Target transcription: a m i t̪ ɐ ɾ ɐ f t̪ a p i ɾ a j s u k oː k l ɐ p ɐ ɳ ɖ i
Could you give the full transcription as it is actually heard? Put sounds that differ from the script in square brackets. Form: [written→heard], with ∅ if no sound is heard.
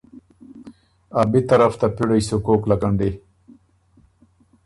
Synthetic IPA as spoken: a [m→b] i t̪ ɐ ɾ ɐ f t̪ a p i [ɾ→ɽ] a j s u k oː k l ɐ [p→k] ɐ ɳ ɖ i